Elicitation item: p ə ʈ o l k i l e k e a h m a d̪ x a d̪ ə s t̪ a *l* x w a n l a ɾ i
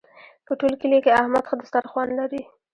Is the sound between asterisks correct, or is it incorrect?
incorrect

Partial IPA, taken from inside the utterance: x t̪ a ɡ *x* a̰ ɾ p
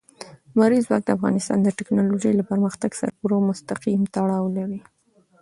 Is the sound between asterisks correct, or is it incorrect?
incorrect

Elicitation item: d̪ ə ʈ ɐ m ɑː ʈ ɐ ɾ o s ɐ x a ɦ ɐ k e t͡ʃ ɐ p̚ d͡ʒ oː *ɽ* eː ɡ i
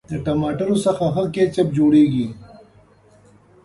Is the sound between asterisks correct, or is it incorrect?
correct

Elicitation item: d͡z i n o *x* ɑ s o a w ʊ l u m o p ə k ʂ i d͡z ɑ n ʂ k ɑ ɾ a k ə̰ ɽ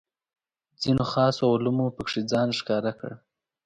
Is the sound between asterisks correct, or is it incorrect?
correct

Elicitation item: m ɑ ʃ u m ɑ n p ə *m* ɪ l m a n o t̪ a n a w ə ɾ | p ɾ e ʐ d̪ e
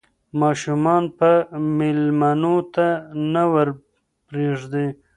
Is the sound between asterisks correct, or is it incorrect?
correct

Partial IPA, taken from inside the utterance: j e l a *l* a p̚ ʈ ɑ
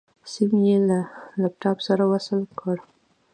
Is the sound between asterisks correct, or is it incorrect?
correct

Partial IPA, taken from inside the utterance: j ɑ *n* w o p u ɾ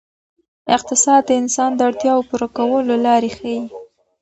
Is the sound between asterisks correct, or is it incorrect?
incorrect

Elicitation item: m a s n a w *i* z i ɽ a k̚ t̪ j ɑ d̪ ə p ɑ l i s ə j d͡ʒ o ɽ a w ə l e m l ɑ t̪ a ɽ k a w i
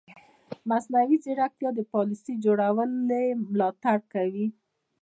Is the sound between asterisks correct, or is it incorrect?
correct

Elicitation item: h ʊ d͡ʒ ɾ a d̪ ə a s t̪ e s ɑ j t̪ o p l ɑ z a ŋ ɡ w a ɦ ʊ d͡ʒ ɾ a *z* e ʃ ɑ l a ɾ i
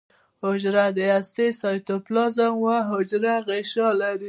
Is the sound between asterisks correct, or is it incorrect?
incorrect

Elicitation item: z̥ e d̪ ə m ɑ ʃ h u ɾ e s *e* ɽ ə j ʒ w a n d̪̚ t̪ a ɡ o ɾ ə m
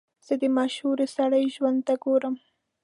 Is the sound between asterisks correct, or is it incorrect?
incorrect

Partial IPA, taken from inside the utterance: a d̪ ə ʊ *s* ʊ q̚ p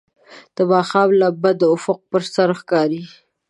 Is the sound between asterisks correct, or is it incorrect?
incorrect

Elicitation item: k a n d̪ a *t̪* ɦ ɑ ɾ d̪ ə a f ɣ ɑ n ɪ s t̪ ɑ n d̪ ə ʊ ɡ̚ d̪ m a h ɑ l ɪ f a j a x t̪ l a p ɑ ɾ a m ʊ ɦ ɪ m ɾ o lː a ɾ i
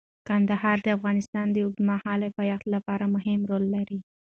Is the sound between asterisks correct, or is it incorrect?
incorrect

